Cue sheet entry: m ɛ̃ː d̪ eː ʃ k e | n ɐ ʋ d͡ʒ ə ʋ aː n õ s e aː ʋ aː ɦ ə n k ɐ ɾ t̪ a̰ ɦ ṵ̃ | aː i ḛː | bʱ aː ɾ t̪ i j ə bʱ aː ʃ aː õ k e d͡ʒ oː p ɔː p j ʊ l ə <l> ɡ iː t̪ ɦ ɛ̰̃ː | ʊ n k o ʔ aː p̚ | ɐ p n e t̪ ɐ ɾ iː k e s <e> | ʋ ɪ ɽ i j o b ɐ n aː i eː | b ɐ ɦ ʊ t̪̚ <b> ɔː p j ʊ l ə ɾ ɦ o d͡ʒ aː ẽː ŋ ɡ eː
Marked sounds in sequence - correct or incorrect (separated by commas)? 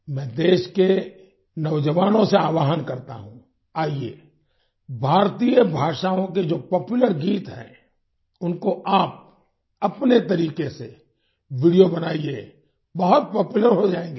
incorrect, correct, incorrect